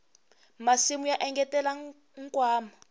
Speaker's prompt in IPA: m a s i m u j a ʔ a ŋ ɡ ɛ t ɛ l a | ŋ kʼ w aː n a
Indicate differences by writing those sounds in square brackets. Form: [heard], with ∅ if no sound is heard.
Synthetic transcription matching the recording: m a s i m u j a ʔ [ɛ] ŋ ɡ ɛ t ɛ l a | ŋ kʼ w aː [m] a